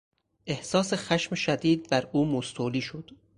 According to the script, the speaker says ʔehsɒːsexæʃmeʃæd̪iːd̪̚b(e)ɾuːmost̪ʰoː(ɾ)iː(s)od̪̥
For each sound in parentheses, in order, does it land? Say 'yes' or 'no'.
no, no, no

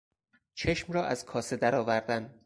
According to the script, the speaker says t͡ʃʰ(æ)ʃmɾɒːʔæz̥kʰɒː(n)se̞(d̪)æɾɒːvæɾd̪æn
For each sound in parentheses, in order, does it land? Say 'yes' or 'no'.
no, no, yes

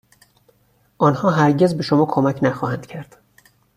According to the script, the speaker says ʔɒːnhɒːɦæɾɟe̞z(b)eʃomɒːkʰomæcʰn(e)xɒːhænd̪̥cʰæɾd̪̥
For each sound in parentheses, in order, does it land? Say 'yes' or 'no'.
yes, no

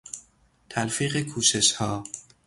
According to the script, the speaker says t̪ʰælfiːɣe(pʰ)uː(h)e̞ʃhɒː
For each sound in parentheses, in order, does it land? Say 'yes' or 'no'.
no, no

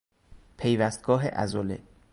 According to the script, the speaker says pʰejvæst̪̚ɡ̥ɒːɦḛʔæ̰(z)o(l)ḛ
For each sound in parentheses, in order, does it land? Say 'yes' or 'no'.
yes, yes

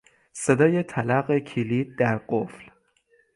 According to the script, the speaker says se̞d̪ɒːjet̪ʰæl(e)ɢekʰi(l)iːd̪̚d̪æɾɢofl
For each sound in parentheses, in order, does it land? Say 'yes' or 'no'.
no, yes

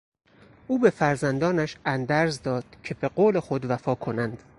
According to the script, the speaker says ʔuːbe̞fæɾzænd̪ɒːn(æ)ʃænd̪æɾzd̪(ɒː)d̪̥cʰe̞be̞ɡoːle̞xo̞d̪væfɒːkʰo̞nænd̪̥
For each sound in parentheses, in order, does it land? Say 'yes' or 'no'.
yes, yes

